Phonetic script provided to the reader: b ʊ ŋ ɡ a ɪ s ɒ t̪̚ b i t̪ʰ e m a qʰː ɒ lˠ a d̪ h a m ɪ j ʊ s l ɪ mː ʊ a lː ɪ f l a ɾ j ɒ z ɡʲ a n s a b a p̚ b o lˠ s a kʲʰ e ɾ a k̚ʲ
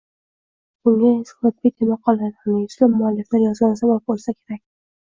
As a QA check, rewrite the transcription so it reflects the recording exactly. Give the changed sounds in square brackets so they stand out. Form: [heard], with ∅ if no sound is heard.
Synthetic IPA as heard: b ʊ ŋ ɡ a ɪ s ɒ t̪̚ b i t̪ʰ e m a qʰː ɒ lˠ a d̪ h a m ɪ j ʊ s l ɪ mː ʊ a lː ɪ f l a ɾ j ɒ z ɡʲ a n s a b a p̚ b o lˠ s a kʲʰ e ɾ a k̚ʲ